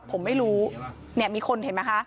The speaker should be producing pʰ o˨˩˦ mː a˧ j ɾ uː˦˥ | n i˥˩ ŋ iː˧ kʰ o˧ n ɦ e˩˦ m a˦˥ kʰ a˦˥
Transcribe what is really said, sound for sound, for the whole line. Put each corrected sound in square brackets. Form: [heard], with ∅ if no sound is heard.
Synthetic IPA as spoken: pʰ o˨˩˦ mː [a˥˩] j ɾ uː˦˥ | n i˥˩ [m] iː˧ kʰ o˧ n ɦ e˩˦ m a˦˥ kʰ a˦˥